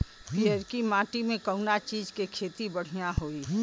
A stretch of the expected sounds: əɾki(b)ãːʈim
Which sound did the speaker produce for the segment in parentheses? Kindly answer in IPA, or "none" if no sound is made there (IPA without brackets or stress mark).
m